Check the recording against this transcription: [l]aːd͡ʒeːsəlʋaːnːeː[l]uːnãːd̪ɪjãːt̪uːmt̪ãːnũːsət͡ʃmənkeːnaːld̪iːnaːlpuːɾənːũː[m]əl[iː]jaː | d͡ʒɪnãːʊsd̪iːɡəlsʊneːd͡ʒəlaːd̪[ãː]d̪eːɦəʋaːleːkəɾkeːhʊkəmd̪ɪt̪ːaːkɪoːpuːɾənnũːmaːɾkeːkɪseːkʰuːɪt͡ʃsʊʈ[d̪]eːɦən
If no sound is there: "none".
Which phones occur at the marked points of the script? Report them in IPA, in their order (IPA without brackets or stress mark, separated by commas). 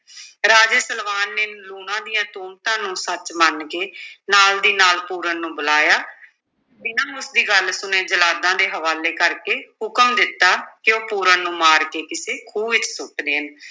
ɾ, l, b, aː, ãː, d̪